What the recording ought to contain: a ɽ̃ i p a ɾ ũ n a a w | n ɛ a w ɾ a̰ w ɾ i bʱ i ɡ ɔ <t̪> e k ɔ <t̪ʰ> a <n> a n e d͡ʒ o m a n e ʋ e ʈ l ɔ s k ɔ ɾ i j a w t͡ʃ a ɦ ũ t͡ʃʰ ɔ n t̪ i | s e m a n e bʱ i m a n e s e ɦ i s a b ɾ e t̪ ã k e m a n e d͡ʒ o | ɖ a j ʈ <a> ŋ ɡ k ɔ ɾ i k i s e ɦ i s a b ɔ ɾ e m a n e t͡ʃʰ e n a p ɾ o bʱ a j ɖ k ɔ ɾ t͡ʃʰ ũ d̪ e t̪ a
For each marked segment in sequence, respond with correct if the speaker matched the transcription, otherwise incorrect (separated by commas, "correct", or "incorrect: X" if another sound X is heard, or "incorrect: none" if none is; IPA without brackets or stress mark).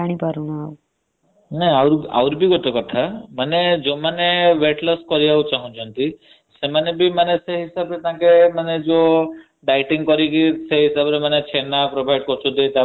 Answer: correct, correct, incorrect: m, incorrect: i